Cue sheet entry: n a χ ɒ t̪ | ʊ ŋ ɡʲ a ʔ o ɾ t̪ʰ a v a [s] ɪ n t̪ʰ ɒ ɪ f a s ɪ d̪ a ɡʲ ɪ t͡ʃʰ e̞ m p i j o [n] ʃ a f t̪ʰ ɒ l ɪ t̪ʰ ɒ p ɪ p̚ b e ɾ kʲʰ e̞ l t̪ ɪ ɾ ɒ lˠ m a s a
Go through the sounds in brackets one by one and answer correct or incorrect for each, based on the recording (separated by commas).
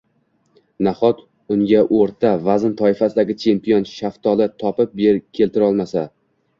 incorrect, correct